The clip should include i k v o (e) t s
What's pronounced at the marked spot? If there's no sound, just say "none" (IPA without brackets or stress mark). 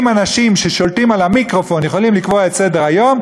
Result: e